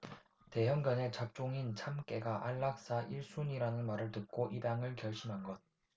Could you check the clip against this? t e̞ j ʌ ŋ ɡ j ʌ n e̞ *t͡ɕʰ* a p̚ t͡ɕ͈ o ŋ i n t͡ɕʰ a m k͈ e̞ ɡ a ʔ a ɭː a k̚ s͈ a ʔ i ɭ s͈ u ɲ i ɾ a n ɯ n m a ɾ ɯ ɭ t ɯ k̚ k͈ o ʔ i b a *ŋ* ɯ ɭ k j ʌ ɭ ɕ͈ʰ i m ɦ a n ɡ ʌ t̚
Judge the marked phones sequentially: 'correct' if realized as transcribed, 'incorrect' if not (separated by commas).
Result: incorrect, correct